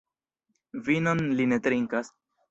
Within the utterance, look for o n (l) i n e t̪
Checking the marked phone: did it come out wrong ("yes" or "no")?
no